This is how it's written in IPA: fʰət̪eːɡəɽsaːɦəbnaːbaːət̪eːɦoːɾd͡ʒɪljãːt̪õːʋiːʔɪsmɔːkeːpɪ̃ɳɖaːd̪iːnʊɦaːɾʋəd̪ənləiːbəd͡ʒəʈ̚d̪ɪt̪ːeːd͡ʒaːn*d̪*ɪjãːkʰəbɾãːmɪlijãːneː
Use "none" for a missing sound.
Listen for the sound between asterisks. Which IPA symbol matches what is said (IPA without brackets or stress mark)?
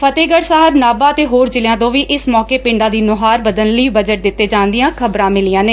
d̪